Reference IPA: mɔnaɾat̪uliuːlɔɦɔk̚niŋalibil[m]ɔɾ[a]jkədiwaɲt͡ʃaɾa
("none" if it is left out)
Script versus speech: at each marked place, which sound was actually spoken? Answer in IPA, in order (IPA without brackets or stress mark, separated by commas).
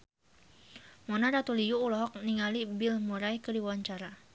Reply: m, a